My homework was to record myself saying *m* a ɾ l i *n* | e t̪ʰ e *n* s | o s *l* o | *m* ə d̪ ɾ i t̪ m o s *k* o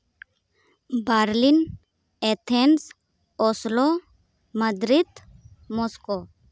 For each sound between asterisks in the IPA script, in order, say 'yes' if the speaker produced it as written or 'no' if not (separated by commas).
no, yes, yes, yes, yes, yes